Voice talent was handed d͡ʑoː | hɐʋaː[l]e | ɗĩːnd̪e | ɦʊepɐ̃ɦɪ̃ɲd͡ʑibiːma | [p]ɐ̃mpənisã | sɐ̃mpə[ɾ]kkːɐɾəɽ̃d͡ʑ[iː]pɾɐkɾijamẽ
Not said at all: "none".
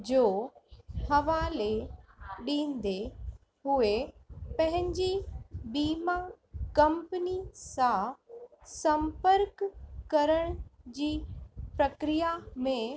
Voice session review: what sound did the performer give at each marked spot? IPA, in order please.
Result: l, k, ɾ, iː

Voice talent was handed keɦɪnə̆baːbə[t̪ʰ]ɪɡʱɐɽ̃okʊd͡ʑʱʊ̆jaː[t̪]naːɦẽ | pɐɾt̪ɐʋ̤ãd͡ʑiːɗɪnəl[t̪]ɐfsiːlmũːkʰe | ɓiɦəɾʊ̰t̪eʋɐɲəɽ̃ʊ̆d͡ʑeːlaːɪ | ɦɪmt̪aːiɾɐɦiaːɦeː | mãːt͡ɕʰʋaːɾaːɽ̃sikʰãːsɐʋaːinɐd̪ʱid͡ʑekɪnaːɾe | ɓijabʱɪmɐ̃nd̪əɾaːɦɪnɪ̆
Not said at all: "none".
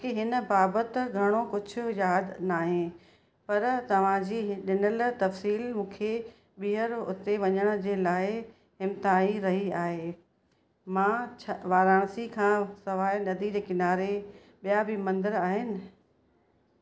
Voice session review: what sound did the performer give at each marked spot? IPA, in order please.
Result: t̪, d̪, t̪

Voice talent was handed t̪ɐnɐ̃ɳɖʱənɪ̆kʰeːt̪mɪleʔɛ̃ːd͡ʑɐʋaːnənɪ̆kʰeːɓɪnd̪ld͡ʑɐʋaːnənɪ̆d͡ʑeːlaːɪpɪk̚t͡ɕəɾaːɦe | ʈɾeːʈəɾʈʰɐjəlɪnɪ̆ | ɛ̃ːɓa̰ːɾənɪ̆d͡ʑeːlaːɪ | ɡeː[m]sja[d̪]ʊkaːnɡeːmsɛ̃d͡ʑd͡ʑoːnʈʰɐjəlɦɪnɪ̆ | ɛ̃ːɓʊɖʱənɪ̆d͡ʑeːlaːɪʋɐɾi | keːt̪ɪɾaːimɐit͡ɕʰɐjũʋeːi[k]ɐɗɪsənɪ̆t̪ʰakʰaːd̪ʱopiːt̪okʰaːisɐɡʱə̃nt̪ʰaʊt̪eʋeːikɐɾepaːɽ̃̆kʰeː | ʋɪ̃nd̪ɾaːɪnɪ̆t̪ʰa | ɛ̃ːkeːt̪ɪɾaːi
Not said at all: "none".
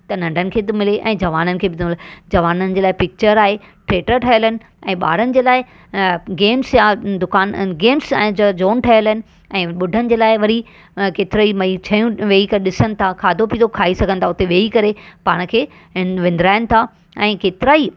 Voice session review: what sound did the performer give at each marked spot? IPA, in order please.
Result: m, d̪, k

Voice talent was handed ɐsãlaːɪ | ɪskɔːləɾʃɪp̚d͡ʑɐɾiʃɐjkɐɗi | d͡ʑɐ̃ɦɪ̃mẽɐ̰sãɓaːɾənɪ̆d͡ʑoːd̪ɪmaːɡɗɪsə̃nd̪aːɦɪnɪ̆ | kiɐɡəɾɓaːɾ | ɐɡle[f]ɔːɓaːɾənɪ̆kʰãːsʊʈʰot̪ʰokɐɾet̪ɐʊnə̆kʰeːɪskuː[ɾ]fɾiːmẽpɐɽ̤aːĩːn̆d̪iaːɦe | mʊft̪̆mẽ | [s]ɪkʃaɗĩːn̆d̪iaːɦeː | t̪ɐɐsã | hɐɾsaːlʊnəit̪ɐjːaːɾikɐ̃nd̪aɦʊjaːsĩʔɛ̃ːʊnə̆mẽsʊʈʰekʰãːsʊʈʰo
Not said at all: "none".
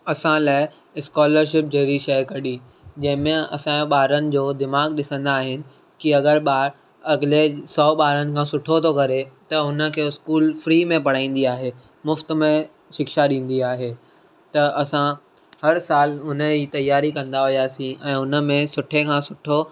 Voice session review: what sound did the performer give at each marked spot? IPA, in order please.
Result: s, l, ʃ

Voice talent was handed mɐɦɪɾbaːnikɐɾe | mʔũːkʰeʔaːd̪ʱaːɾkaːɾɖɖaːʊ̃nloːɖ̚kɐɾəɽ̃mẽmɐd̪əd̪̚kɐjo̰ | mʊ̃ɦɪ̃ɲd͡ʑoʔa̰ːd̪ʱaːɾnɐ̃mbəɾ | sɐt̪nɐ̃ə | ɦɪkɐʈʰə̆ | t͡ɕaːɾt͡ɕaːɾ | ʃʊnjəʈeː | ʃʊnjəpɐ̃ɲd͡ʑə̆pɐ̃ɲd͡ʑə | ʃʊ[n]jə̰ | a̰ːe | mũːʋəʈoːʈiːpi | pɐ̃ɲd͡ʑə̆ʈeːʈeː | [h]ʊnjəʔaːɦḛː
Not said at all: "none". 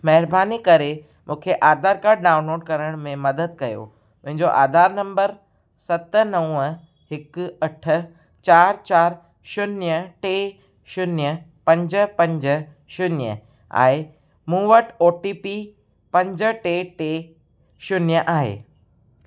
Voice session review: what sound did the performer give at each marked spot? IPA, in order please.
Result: n, ʃ

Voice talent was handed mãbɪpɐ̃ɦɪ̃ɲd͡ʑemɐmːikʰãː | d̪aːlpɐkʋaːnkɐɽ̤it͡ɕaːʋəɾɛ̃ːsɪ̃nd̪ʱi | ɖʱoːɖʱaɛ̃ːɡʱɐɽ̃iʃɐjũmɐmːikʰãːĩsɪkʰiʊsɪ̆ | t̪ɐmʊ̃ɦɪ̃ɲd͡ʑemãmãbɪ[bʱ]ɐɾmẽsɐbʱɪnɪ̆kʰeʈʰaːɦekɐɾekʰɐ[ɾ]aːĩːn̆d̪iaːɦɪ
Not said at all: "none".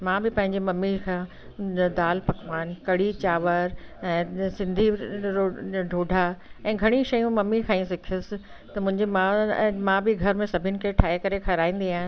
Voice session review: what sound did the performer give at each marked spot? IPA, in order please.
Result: ɡʱ, ɾ

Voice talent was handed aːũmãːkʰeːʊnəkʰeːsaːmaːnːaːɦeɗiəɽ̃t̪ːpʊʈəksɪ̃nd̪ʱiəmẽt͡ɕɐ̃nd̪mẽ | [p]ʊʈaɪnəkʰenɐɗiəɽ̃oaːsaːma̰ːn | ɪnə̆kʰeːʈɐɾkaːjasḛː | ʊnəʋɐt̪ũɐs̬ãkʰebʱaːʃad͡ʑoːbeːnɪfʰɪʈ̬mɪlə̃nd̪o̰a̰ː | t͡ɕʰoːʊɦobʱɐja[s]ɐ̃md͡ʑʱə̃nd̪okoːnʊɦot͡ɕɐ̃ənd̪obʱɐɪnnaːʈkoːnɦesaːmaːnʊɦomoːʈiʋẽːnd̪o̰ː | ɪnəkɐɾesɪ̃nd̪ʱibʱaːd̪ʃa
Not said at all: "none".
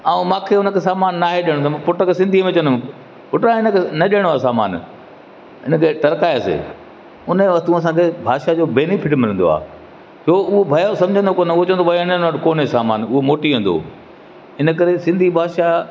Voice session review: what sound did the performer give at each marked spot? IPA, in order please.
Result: p, s

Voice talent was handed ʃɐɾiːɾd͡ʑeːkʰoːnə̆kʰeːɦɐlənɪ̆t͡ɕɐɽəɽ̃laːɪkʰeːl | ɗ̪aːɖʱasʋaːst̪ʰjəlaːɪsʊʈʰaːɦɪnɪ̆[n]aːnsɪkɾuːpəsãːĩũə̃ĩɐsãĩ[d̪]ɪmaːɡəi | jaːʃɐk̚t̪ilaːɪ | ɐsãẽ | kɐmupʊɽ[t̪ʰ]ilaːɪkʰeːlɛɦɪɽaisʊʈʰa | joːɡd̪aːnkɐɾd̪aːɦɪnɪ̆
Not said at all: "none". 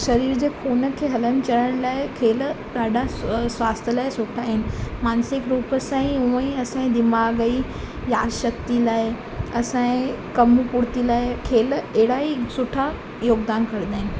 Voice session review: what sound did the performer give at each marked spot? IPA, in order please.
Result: m, d̪, t̪

